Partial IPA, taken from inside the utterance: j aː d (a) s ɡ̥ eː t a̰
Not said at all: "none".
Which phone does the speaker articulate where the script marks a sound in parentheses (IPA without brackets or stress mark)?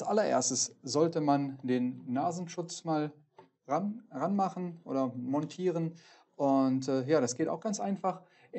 a